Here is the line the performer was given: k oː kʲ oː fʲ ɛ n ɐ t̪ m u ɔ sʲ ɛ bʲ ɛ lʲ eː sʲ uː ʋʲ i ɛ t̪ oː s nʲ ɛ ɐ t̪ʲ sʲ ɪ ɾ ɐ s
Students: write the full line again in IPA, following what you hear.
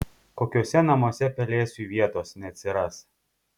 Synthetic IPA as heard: k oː kʲ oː sʲ ɛ n ɐ m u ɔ sʲ ɛ pʲ ɛ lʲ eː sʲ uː ʋʲ i ɛ t̪ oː s nʲ ɛ ɐ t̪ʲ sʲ ɪ ɾ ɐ s

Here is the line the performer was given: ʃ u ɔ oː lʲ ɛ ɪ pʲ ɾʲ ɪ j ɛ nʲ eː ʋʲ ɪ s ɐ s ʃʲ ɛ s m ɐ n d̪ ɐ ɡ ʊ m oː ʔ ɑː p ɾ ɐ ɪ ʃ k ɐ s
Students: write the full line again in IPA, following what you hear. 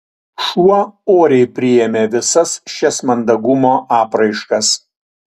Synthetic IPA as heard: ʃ u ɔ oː ɾʲ ɛ ɪ pʲ ɾʲ ɪ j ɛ mʲ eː ʋʲ ɪ s ɐ s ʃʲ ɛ s m ɐ n d̪ ɐ ɡ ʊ m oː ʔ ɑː p ɾ ɐ ɪ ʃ k ɐ s

